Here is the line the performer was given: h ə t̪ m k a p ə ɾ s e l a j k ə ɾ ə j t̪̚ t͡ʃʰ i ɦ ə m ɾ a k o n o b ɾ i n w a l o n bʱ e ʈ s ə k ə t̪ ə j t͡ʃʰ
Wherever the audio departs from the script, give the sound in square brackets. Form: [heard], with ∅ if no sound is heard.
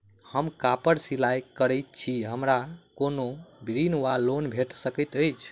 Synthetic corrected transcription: h ə [∅] m k a p ə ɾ s [i] l a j k ə ɾ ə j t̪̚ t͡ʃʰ i ɦ ə m ɾ a k o n o b ɾ i n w a l o n bʱ e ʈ s ə k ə t̪ ə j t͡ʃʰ